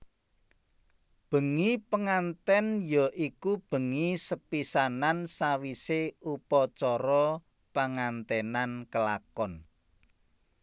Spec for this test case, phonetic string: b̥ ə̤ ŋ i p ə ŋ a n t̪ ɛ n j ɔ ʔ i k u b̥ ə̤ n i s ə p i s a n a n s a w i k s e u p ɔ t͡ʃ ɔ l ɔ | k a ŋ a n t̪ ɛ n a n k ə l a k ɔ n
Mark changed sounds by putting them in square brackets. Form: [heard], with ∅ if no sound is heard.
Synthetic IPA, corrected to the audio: b̥ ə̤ ŋ i p ə ŋ a n t̪ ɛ n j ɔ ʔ i k u b̥ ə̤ [ŋ] i s ə p i s a n a n s a w i [∅] s e u p ɔ t͡ʃ ɔ [ɾ] ɔ | [p] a ŋ a n t̪ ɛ n a n k ə l a k ɔ n